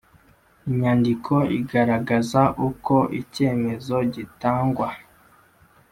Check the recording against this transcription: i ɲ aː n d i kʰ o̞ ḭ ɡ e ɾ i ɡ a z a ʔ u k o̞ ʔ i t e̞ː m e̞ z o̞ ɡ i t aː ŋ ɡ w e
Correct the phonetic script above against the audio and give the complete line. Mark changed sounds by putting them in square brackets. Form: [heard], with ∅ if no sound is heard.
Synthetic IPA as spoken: i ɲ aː n d i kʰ o̞ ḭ ɡ [a] ɾ [a] ɡ a z a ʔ u k o̞ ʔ i [c] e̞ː m e̞ z o̞ [ɟ] i t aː ŋ ɡ w [a]